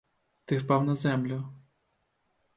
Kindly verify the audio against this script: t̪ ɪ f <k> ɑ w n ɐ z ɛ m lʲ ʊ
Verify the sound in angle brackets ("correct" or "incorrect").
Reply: incorrect